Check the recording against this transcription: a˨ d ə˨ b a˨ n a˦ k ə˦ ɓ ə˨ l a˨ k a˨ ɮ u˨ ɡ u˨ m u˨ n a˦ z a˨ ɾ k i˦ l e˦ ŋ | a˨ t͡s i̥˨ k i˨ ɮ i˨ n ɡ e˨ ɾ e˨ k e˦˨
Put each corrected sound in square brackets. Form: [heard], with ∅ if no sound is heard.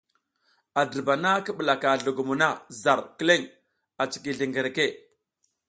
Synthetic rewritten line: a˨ d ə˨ b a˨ n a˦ k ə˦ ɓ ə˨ l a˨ k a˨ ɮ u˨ ɡ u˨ m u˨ n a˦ z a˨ ɾ k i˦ l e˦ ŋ | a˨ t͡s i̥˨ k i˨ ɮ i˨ [ŋ] ɡ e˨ ɾ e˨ k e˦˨